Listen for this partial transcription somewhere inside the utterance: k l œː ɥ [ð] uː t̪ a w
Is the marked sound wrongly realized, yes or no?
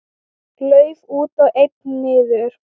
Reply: yes